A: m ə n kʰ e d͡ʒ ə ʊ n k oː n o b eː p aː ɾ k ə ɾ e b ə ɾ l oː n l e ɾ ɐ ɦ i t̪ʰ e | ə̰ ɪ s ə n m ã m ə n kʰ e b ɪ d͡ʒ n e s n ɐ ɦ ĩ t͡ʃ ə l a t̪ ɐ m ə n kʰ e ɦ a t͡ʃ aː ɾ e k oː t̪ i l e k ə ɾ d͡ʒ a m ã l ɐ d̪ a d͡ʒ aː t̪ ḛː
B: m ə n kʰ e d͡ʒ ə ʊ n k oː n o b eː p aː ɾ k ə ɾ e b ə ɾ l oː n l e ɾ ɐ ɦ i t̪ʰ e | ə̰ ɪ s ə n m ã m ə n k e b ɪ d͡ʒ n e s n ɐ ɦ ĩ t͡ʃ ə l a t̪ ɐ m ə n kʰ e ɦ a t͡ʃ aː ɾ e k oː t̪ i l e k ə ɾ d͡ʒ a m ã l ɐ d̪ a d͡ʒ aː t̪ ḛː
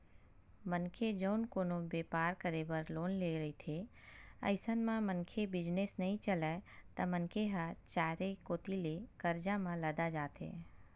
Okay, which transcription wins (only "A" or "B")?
A